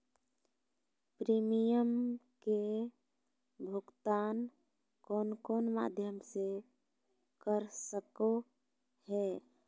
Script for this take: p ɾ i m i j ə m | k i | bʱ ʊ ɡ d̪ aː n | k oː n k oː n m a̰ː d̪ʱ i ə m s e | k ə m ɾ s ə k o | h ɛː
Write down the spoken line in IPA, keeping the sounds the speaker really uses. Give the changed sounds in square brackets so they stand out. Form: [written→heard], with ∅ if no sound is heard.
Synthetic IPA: p ɾ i m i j ə m | k [i→e] | bʱ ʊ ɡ [d̪→t̪] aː n | k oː n k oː n m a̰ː d̪ʱ [i→j] ə m s e | k ə [m→∅] ɾ s ə k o | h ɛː